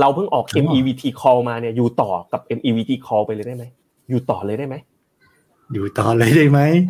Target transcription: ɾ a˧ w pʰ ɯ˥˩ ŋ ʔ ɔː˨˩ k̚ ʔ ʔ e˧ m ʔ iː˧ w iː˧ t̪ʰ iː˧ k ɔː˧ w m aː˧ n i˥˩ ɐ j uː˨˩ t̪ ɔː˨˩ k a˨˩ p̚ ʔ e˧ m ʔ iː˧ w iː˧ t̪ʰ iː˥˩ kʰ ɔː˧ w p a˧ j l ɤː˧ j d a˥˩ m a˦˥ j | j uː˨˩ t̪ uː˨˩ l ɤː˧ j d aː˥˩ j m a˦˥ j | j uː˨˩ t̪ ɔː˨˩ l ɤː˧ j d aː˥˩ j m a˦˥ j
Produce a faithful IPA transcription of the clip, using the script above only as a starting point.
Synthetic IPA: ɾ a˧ w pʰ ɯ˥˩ ŋ ʔ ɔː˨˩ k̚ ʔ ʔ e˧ m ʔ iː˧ w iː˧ t̪ʰ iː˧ kʰ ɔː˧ w m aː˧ n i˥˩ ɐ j uː˨˩ t̪ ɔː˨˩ k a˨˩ p̚ ʔ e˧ m ʔ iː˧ w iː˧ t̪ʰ iː˧ kʰ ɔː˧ w p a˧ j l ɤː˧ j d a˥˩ m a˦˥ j | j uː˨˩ t̪ ɔː˨˩ l ɤː˧ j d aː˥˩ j m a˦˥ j | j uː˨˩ t̪ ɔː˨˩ l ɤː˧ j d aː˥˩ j m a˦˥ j